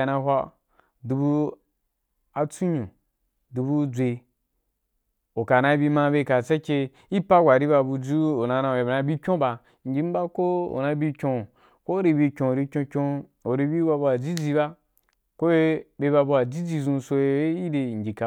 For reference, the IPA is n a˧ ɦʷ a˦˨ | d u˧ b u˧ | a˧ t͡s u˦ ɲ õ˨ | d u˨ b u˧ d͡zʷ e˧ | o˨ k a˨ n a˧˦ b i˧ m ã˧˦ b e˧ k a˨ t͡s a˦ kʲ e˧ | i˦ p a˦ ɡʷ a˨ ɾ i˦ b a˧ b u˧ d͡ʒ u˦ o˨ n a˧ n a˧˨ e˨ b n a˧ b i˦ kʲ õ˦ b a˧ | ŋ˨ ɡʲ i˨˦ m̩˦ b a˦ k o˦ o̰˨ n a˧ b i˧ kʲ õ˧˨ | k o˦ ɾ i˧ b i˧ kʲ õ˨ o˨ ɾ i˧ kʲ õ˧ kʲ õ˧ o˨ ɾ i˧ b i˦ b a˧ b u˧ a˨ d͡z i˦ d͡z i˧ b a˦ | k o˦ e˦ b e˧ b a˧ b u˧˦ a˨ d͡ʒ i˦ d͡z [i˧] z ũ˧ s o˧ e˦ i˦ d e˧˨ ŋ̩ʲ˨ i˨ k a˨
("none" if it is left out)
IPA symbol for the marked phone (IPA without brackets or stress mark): i˧